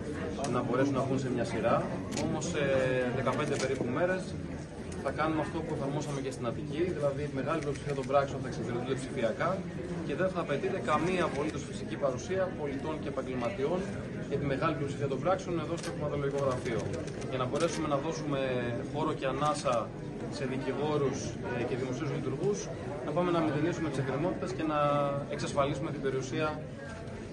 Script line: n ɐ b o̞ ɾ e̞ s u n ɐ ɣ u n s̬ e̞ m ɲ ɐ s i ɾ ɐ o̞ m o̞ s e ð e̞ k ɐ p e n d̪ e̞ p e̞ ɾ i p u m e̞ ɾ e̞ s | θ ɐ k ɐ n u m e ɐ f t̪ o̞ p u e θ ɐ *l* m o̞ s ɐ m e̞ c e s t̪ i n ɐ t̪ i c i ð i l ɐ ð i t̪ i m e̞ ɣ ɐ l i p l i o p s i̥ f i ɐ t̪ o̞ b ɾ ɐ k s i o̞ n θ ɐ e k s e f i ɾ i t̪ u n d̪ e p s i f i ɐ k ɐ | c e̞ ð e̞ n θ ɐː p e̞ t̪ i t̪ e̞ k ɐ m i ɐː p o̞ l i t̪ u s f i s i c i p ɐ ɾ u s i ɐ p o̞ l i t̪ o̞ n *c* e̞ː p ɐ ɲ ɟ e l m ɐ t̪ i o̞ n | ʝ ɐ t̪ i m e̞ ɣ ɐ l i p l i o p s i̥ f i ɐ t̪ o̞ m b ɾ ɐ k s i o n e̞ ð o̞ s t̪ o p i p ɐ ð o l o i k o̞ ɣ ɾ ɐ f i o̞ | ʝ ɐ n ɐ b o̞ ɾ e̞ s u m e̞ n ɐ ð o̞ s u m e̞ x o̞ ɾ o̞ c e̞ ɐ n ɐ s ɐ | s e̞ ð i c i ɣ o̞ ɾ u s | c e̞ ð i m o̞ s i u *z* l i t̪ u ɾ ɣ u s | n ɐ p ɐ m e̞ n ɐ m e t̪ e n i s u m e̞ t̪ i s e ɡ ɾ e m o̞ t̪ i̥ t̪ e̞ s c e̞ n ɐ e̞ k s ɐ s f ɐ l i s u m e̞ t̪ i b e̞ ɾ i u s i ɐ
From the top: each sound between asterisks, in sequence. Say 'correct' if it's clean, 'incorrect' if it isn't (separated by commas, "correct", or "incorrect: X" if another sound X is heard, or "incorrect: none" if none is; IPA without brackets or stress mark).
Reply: incorrect: ɾ, correct, correct